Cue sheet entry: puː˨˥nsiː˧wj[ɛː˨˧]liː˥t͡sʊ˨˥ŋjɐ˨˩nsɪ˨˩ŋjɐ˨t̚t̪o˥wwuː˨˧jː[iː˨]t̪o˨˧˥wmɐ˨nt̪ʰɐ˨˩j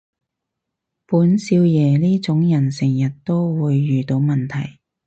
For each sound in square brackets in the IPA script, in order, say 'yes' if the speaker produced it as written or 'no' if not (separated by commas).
yes, no